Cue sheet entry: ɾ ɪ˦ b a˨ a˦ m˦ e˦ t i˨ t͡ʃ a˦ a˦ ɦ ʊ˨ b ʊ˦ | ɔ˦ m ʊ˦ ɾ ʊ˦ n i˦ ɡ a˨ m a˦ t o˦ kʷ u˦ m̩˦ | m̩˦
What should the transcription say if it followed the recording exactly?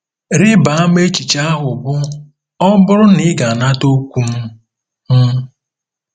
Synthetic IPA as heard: ɾ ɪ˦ b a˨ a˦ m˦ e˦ t͡ʃ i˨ t͡ʃ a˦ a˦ ɦ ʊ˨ b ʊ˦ | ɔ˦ b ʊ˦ ɾ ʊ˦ n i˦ ɡ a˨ n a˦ t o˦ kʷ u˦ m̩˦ | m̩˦